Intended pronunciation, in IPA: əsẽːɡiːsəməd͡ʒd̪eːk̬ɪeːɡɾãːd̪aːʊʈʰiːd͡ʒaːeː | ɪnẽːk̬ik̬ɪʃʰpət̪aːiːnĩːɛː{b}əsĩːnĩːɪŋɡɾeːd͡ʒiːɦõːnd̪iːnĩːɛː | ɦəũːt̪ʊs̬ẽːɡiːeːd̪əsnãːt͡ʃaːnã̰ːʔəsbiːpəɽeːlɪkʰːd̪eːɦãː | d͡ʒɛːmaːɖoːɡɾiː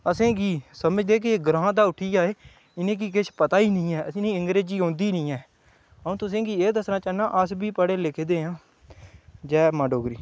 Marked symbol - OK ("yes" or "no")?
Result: no